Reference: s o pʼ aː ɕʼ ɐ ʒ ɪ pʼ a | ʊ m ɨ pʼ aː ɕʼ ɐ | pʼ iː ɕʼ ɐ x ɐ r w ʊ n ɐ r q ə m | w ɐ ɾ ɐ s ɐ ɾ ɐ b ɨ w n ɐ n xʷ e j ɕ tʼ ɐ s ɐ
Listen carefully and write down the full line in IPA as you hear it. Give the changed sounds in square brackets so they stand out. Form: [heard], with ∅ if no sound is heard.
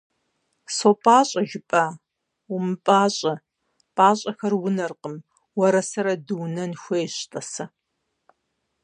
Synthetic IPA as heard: s o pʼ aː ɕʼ ɐ ʒ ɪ pʼ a | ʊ m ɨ pʼ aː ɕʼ ɐ | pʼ [aː] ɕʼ ɐ x ɐ r w ʊ n ɐ r q ə m | w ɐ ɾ ɐ s ɐ ɾ ɐ [d] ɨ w n ɐ n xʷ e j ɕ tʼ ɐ s ɐ